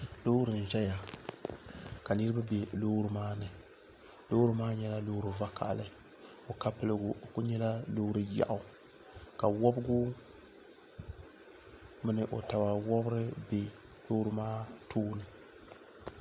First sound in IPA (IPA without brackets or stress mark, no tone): l